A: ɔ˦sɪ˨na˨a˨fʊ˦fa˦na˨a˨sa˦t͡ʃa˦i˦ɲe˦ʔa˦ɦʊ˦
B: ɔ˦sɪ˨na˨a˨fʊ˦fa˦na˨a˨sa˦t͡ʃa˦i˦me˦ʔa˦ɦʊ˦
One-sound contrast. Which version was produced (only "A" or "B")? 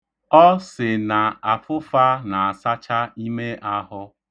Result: B